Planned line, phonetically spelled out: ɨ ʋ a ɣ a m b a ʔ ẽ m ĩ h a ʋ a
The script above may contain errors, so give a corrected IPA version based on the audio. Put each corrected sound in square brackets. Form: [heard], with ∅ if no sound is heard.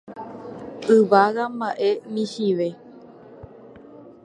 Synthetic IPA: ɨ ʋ a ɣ a m b a ʔ [e] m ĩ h [i] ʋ [e]